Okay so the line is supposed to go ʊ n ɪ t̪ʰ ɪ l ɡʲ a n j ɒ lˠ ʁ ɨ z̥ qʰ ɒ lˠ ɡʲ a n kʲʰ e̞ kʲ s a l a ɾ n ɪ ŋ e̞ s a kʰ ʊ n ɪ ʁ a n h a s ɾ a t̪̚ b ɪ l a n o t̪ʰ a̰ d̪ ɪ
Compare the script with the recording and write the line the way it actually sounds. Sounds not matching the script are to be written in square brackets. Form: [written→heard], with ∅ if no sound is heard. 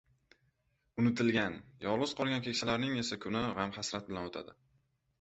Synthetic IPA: ʊ n ɪ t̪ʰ ɪ l ɡʲ a n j ɒ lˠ ʁ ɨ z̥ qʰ ɒ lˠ ɡʲ a n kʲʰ e̞ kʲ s a l a ɾ n ɪ ŋ e̞ s a kʰ ʊ n ɪ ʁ a [n→m] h a s ɾ a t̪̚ b ɪ l a n o t̪ʰ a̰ d̪ ɪ